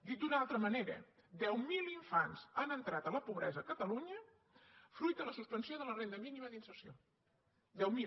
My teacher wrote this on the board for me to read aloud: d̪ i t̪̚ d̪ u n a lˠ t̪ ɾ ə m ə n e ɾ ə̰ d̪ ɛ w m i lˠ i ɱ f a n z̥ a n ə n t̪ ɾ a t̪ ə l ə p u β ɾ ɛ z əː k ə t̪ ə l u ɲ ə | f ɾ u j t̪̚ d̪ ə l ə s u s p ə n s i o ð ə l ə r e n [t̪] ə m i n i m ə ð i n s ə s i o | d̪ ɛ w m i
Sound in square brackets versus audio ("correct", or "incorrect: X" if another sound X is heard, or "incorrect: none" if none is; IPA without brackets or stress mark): incorrect: d̪